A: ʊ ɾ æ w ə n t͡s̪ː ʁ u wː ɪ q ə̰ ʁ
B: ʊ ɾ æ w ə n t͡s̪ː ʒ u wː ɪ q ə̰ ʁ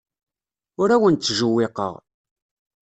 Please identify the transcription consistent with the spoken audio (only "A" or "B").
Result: B